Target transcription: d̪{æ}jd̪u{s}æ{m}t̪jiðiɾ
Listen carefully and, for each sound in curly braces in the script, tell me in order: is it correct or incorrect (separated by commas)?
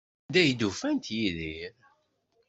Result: correct, incorrect, incorrect